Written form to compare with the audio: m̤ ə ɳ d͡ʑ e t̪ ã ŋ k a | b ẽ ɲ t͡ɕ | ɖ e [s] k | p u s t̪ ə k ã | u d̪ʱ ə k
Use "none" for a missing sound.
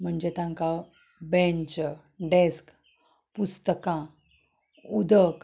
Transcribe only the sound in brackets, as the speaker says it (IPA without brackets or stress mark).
s